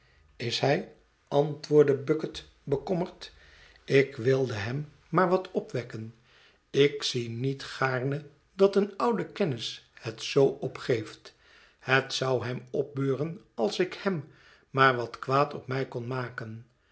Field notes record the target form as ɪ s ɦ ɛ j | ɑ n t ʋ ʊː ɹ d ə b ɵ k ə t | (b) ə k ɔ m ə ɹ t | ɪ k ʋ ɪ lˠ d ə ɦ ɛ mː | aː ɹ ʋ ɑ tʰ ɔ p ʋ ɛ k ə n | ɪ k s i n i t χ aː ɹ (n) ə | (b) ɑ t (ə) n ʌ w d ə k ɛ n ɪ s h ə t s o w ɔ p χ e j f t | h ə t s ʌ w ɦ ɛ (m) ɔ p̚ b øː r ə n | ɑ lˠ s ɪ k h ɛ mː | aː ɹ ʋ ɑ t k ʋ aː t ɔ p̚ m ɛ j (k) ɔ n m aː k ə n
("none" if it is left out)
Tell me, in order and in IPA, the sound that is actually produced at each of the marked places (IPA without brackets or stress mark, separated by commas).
b, n, d, ə, m, k